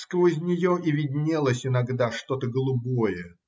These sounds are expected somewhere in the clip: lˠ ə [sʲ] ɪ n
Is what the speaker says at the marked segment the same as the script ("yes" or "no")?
yes